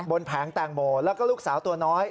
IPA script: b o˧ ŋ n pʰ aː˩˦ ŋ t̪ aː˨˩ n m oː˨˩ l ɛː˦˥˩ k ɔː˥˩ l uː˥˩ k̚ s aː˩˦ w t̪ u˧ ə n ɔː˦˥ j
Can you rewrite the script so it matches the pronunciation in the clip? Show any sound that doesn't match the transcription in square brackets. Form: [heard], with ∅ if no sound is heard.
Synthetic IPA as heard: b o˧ [∅] n pʰ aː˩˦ ŋ t̪ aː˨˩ [ŋ] m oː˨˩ l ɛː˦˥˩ k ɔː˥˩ l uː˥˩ k̚ s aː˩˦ w t̪ u˧ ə n ɔː˦˥ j